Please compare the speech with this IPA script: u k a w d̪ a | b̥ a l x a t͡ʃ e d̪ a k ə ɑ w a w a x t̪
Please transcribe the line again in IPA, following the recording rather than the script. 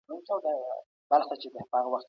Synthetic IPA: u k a w d̪ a | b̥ a l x a t͡ʃ e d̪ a p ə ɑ ɣ a w a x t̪